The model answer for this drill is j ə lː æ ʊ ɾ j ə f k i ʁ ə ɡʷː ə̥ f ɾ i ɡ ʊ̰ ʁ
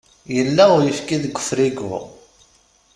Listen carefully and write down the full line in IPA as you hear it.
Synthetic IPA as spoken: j ə lː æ ʊ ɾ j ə f k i ð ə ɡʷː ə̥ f ɾ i ɡ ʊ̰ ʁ